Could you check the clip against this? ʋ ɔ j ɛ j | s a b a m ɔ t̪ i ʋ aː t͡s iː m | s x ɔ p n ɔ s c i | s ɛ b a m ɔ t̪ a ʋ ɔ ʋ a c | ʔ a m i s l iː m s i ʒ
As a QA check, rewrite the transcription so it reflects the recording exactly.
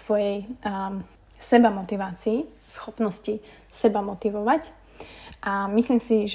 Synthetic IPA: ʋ ɔ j ɛ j | s ɛ b a m ɔ t̪ i ʋ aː t͡s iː | s x ɔ p n ɔ s c i | s ɛ b a m ɔ t̪ i ʋ ɔ ʋ a c | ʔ a m i s l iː m s i ʒ